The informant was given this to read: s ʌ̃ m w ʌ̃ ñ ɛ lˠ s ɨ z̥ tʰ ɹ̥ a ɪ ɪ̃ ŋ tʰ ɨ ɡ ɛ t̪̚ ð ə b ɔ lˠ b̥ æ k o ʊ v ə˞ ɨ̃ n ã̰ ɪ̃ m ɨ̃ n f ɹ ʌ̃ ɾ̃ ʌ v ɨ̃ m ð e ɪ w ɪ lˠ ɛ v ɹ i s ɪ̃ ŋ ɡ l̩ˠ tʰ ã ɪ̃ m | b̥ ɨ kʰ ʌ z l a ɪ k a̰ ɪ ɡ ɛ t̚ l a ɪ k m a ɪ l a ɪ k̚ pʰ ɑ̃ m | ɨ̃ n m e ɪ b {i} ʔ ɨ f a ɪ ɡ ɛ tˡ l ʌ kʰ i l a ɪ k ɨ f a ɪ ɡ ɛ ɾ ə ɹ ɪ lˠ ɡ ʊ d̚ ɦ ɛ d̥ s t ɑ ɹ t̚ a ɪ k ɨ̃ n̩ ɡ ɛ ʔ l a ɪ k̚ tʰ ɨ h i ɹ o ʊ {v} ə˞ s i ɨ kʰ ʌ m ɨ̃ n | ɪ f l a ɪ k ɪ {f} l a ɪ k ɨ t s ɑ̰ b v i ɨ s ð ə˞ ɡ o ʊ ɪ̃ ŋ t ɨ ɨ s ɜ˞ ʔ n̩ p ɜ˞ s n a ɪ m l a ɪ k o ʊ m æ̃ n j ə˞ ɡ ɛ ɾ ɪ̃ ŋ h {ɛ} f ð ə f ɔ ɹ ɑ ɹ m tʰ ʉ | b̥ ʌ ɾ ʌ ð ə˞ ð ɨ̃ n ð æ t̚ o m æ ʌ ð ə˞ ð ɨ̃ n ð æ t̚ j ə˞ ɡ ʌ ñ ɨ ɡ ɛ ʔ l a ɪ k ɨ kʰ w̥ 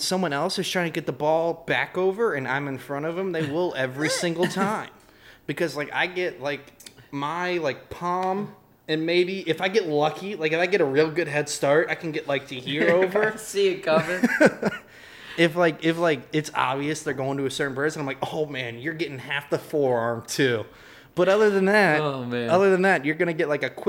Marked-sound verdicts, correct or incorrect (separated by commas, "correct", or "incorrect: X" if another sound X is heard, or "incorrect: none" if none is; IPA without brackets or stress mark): correct, correct, correct, incorrect: æ